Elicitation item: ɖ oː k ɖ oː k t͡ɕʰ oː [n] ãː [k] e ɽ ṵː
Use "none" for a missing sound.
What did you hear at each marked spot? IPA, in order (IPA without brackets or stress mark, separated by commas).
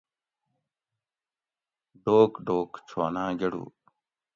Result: n, ɡ